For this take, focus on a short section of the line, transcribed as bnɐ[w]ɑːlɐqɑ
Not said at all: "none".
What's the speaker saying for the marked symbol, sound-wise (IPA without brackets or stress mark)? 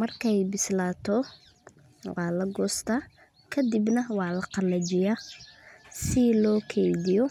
w